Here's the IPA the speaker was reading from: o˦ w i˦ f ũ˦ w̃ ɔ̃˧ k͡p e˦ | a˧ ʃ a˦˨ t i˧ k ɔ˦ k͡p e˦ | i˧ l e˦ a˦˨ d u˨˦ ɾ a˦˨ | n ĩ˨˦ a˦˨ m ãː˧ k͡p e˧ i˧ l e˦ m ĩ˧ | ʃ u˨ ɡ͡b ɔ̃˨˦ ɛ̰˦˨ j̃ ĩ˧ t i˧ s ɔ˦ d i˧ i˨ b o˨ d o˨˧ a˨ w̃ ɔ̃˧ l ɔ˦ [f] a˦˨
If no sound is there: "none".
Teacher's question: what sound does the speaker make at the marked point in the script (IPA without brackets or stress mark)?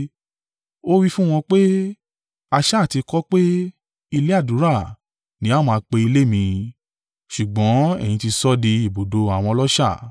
ʃ